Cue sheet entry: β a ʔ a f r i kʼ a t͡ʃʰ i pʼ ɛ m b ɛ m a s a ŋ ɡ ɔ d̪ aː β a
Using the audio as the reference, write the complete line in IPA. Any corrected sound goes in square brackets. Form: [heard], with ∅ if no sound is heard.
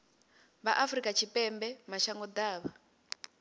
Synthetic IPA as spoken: β a ʔ a f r i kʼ a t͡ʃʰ i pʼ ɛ m b ɛ m a [ʃ] a ŋ ɡ ɔ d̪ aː β a